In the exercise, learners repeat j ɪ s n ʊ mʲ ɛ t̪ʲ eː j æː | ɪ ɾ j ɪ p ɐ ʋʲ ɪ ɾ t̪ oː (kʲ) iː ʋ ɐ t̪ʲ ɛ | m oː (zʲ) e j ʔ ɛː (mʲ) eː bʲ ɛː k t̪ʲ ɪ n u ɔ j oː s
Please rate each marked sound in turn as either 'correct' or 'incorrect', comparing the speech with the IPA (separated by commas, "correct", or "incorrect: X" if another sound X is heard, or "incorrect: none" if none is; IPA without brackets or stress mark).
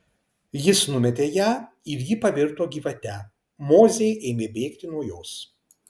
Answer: incorrect: ɡʲ, correct, correct